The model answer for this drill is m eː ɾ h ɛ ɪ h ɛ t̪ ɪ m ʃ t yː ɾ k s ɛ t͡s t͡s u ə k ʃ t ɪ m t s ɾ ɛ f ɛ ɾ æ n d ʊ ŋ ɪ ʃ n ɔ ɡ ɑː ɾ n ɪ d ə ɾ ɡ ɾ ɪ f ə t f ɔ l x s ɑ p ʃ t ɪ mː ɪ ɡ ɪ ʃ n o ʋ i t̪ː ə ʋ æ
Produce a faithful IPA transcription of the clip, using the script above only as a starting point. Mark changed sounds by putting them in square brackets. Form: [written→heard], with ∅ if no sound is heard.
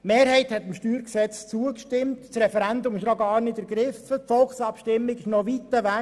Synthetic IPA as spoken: m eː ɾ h ɛ ɪ h ɛ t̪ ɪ m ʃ t yː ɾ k s ɛ t͡s t͡s u ə k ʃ t ɪ m t s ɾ ɛ f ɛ ɾ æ n d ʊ [ŋ→m] ɪ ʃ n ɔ ɡ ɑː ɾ n ɪ d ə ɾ ɡ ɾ ɪ f ə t f ɔ l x s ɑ p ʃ t ɪ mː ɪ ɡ ɪ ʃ n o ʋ i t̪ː ə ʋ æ